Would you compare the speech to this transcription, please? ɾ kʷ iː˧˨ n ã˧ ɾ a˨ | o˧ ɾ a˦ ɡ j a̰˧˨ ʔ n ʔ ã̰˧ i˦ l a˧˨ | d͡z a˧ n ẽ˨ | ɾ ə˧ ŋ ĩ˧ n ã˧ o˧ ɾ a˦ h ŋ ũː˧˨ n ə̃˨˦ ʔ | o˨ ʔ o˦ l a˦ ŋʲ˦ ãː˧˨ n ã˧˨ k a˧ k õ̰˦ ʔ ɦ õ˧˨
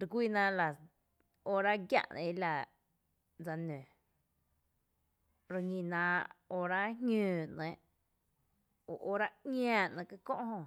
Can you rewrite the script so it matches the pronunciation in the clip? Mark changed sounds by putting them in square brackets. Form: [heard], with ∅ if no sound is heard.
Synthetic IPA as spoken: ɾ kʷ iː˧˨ n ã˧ [l] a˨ | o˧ ɾ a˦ ɡ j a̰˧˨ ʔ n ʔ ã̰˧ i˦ l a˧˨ | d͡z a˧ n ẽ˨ | ɾ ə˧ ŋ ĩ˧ n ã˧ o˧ ɾ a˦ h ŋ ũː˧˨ n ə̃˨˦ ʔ | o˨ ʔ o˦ [ɾ] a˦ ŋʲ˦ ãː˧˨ n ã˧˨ k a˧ k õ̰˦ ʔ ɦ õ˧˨